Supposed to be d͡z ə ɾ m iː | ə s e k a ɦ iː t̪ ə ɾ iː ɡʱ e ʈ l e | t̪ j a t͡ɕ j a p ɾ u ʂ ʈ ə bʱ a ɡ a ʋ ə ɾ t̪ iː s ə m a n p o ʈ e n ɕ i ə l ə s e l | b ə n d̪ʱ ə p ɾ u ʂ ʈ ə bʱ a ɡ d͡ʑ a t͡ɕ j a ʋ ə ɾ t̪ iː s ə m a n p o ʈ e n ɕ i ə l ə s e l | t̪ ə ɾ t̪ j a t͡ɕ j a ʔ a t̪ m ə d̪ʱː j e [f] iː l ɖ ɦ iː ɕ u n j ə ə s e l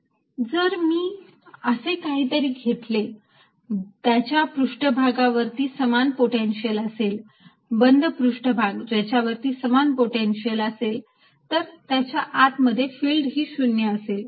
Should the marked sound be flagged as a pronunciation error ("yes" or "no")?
no